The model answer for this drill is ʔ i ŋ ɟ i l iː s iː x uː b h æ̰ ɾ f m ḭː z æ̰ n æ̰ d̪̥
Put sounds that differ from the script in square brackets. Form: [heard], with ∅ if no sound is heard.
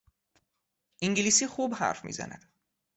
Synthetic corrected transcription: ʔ i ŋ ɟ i l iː s iː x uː b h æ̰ ɾ f m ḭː z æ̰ n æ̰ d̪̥